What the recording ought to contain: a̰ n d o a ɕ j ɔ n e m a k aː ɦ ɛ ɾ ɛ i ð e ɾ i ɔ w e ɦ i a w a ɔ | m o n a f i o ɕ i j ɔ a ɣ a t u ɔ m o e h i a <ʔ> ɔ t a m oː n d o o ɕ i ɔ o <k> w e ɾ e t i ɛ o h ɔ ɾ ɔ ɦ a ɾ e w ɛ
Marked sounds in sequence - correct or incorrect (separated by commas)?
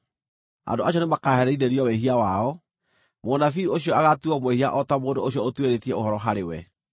correct, incorrect